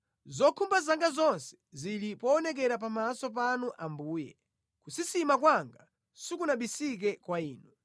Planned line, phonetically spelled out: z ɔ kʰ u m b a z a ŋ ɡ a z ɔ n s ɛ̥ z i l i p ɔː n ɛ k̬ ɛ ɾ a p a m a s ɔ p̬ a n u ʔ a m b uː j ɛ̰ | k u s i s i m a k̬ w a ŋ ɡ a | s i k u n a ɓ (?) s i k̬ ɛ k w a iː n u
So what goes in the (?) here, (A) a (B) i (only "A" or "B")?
B